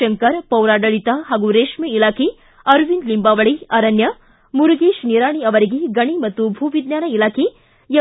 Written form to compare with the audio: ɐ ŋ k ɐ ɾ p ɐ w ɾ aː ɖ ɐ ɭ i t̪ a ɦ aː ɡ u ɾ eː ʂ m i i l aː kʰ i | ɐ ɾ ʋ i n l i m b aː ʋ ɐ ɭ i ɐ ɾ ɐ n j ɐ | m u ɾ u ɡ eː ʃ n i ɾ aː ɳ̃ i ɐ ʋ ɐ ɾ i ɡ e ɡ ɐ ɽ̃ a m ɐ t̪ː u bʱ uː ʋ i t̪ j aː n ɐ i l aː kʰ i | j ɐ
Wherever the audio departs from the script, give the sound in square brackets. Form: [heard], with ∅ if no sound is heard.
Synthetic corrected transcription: ɐ ŋ k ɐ ɾ p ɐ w ɾ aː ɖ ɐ ɭ i t̪ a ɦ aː ɡ u ɾ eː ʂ m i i l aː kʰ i | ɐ ɾ ʋ i n l i m b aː ʋ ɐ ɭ i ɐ ɾ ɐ n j ɐ | m u ɾ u ɡ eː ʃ n i ɾ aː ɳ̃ i ɐ ʋ ɐ ɾ i ɡ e ɡ ɐ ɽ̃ [i] m ɐ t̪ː u bʱ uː ʋ i [d̪] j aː n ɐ i l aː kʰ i | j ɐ

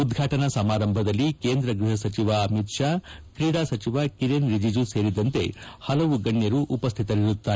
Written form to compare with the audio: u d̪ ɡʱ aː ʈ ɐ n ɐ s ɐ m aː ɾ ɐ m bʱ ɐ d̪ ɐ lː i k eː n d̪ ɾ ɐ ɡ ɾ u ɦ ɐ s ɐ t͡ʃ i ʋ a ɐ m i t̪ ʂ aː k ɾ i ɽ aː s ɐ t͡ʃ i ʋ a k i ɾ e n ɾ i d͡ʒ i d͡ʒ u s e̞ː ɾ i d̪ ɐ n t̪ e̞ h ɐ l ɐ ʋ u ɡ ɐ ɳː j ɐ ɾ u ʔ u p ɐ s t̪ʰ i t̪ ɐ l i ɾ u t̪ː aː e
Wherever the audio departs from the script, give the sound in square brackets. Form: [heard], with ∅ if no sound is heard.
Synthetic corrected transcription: u d̪ ɡʱ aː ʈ ɐ n ɐ s ɐ m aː ɾ ɐ m bʱ ɐ d̪ ɐ lː i k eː n d̪ ɾ ɐ ɡ ɾ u ɦ ɐ s ɐ t͡ʃ i ʋ a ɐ m i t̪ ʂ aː k ɾ i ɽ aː s ɐ t͡ʃ i ʋ a k i ɾ e n ɾ i d͡ʒ i d͡ʒ u s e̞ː ɾ i d̪ ɐ n t̪ e̞ h ɐ l ɐ ʋ u ɡ ɐ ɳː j ɐ ɾ u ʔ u p ɐ s t̪ʰ i t̪ ɐ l i ɾ u t̪ː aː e

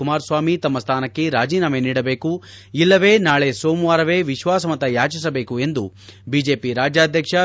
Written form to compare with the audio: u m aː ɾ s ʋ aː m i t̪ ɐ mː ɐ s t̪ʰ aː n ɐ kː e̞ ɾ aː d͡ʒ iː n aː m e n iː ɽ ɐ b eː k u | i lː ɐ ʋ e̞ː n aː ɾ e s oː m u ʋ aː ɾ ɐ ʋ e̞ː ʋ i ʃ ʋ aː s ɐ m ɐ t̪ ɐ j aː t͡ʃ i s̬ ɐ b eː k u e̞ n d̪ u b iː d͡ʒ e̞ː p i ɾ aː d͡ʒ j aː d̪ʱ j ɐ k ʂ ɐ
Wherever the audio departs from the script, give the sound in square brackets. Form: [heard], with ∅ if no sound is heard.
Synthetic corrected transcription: u m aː ɾ s ʋ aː m i t̪ ɐ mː ɐ s t̪ʰ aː n ɐ kː e̞ ɾ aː d͡ʒ iː n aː m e n iː ɽ ɐ b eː k u | i lː ɐ ʋ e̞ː n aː [ɭ] e s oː m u ʋ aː ɾ ɐ ʋ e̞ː ʋ i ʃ ʋ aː s ɐ m ɐ t̪ ɐ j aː t͡ʃ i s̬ ɐ b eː k u e̞ n d̪ u b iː d͡ʒ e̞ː p i ɾ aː d͡ʒ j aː d̪ʱ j ɐ k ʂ ɐ

